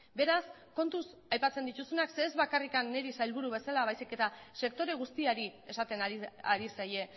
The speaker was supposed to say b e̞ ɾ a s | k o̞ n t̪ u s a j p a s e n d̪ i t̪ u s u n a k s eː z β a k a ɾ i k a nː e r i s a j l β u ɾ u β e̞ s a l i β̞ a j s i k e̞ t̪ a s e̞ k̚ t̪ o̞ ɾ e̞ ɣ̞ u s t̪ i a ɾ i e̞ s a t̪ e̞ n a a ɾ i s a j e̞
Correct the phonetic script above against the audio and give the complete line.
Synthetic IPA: b e̞ ɾ a s | k o̞ n t̪ u s a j p a t͡s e n d̪ i t̪ u s u n a k s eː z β a k a r i k a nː e ɾ i s a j l β u ɾ u β e̞ s a l a β̞ a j s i k e̞ t̪ a s e̞ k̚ t̪ o̞ ɾ e̞ ɣ̞ u s t̪ i a ɾ i e̞ s a t̪ e̞ n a a ɾ i s a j e̞